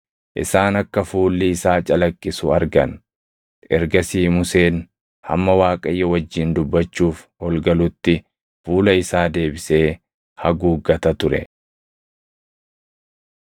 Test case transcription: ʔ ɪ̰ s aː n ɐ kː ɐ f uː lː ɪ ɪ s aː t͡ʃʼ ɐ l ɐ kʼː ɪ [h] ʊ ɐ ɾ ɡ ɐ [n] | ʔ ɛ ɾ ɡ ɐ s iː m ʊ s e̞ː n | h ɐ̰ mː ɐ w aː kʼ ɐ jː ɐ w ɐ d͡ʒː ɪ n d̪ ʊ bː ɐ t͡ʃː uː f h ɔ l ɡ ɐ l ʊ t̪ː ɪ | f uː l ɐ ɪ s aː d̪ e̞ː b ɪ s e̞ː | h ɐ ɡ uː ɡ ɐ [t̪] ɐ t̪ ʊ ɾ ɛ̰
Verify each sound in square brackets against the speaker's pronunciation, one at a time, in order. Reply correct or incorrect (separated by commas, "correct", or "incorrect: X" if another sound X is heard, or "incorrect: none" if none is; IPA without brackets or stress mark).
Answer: incorrect: s, correct, correct